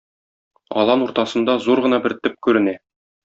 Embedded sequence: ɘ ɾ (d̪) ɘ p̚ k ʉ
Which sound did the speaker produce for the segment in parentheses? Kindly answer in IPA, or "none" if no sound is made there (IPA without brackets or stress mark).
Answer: t̪